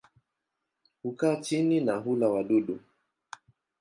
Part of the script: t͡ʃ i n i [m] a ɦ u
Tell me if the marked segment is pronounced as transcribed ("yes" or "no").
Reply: no